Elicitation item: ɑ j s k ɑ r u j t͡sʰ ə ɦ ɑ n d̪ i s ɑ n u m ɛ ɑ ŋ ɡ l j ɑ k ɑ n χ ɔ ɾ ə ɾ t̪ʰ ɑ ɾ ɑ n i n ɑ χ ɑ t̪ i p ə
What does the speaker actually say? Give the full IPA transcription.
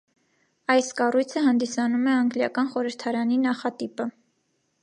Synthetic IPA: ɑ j s k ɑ r u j t͡sʰ ə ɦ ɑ n d̪ i s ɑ n u m ɛ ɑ ŋ ɡ l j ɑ k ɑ n χ ɔ ɾ ə ɾ t̪ʰ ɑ ɾ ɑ n i n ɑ χ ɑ t̪ i p ə